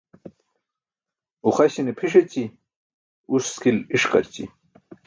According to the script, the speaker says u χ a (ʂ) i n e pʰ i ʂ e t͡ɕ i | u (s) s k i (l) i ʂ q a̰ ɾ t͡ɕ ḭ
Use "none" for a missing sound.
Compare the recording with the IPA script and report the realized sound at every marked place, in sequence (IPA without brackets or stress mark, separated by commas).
ɕ, s, l